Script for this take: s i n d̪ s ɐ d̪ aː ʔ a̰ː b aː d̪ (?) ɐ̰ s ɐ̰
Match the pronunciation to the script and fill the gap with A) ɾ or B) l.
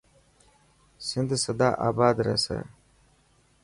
A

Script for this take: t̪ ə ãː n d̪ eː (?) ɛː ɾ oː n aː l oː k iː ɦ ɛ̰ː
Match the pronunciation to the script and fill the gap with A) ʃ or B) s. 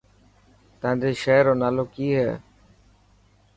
A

